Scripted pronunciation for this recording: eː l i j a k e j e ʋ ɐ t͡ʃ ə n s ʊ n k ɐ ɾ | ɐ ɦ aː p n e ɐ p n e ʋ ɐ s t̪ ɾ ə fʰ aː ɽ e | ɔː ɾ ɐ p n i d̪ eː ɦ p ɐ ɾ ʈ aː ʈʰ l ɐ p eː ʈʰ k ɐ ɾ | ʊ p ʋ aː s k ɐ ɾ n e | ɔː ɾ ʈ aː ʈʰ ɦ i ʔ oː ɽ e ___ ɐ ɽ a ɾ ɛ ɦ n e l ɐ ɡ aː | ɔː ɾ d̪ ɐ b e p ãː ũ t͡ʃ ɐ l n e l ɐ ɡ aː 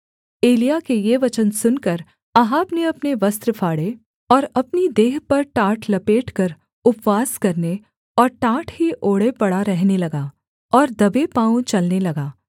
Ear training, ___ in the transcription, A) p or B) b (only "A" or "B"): A